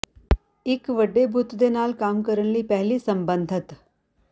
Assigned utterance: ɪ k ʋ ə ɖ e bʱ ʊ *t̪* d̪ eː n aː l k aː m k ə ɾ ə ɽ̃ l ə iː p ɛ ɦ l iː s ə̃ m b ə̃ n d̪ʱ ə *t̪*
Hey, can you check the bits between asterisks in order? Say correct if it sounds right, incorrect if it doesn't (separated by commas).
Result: correct, correct